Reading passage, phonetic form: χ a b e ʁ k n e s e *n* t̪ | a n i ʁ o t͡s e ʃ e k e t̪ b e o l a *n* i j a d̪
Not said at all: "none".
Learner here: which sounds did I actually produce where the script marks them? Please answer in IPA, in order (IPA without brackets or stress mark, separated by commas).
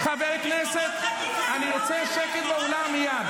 none, m